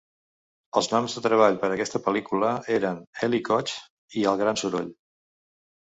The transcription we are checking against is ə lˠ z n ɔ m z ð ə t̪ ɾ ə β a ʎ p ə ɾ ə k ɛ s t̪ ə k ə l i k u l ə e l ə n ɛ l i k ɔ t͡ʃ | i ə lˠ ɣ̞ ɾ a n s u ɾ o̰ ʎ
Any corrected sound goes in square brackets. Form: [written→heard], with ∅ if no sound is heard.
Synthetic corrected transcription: ə lˠ z n ɔ m z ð ə t̪ ɾ ə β a ʎ p ə ɾ ə k ɛ s t̪ ə [k→p] ə l i k u l ə e [l→ɾ] ə n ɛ l i k ɔ t͡ʃ | i ə lˠ ɣ̞ ɾ a n s u ɾ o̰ ʎ